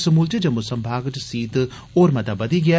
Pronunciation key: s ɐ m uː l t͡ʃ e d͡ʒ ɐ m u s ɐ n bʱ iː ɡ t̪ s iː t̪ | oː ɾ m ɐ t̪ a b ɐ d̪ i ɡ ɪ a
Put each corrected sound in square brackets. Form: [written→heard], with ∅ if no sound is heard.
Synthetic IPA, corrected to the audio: s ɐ m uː l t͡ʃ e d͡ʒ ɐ m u s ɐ [n→m] bʱ [iː→aː] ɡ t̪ s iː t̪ | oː ɾ m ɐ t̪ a b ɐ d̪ i ɡ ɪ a

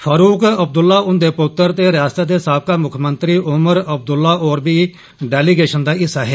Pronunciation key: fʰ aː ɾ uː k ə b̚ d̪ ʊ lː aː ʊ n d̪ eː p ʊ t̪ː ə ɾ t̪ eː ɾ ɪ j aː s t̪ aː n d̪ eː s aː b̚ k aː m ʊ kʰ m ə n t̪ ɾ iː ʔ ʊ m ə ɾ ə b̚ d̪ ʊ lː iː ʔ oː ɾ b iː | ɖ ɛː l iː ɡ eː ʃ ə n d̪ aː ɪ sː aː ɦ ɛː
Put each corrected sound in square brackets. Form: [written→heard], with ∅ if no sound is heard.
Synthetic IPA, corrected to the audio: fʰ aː ɾ uː k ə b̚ d̪ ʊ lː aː ʊ n d̪ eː p ʊ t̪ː ə ɾ t̪ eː ɾ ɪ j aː s t̪ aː [n→∅] d̪ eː s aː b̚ k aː m ʊ kʰ m ə n t̪ ɾ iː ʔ ʊ m ə ɾ ə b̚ d̪ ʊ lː [iː→aː] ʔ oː ɾ b iː | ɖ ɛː l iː ɡ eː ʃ ə n d̪ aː ɪ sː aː ɦ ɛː

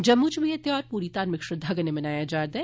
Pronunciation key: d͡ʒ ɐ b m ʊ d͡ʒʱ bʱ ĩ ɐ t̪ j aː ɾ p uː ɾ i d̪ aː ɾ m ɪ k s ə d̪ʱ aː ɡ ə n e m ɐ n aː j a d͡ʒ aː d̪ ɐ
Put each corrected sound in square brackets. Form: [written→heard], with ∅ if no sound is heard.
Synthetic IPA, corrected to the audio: d͡ʒ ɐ b m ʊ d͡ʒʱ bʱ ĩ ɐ t̪ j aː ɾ p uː ɾ i [d̪→t̪] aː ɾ m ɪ k [s→ʃ] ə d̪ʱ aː ɡ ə n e m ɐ n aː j a d͡ʒ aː d̪ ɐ

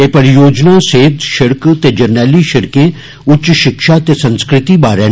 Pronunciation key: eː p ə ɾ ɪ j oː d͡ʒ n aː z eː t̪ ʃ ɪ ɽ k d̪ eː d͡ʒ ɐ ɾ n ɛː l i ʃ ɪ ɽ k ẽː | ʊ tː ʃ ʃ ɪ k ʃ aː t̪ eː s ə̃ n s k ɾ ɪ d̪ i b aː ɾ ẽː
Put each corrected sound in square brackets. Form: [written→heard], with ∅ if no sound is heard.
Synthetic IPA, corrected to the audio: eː p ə ɾ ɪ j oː d͡ʒ n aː [z→s] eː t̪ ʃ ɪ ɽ k [d̪→t̪] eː d͡ʒ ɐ ɾ n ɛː l i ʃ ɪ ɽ k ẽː | ʊ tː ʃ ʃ ɪ k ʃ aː t̪ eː s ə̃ n s k ɾ ɪ [d̪→t̪] i b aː ɾ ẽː

